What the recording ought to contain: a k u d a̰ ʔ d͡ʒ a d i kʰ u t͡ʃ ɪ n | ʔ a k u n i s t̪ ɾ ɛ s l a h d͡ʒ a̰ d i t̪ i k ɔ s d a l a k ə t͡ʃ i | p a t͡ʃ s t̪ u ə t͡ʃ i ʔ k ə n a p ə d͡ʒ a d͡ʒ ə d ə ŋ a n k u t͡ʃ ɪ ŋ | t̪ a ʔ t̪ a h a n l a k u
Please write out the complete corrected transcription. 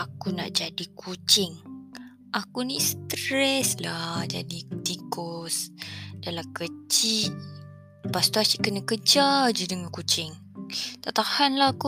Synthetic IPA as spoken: a k u n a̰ ʔ d͡ʒ a d i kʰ u t͡ʃ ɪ ŋ | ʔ a k u n i s t̪ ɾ ɛ s l a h d͡ʒ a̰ d i t̪ i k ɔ s d a l a k ə t͡ʃ i | p a s t̪ u a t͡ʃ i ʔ k ə n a k ə d͡ʒ a d͡ʒ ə d ə ŋ a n k u t͡ʃ ɪ ŋ | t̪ a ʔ t̪ a h a n l a k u